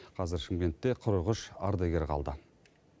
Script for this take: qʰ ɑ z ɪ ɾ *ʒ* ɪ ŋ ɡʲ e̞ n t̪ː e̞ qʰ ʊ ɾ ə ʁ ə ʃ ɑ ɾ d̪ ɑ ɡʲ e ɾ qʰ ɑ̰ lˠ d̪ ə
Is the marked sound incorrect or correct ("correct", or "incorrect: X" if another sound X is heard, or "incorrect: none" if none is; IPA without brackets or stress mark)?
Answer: incorrect: ʃ